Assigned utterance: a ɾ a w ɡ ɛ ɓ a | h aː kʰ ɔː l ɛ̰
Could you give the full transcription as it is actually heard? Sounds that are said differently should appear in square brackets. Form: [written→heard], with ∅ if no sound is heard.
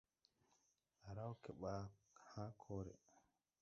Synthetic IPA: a ɾ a w [ɡ→k] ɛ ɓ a | h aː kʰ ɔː [l→ɾ] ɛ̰

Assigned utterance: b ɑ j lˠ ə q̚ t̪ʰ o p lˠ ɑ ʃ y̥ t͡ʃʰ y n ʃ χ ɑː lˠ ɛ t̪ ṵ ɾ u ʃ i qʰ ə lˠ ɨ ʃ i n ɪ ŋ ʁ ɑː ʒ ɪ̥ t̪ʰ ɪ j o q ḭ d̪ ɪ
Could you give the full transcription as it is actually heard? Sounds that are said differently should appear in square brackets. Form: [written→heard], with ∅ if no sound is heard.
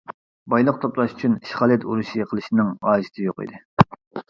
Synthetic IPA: b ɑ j lˠ ə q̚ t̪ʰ o p lˠ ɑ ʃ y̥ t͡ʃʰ y n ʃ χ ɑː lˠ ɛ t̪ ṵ ɾ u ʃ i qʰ ə lˠ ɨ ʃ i n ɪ ŋ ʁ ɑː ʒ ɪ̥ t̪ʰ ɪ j o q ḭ d̪ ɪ

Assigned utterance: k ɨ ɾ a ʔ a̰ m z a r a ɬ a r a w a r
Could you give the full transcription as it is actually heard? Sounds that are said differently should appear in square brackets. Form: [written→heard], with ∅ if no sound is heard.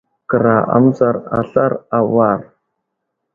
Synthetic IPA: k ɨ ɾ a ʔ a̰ m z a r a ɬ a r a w a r

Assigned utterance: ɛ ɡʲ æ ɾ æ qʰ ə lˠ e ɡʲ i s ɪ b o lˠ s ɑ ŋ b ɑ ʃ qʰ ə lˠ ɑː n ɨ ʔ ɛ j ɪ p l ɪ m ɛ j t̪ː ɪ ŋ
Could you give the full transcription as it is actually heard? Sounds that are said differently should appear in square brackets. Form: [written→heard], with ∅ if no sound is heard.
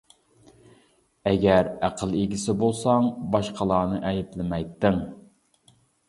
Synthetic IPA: ɛ ɡʲ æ ɾ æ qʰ ə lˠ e ɡʲ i s ɪ b o lˠ s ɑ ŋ b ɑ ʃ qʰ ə lˠ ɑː n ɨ ʔ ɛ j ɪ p l ɪ m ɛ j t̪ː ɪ ŋ

